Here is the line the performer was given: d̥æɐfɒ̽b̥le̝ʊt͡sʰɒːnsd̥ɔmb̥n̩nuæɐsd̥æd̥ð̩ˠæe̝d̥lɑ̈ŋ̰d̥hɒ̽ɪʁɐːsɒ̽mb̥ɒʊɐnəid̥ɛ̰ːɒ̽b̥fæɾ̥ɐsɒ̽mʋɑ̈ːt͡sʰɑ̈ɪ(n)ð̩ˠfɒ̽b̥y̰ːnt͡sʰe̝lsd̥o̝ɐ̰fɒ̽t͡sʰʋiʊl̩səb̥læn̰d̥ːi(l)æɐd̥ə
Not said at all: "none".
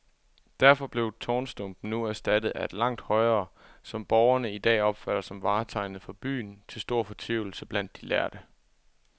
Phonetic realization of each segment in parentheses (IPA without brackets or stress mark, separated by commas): n, l